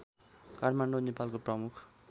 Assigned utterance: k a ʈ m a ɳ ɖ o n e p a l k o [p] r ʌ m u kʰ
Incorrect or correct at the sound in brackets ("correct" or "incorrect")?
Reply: correct